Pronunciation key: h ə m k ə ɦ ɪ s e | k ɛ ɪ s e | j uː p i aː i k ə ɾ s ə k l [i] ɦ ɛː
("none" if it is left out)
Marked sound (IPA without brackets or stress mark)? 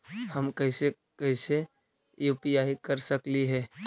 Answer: i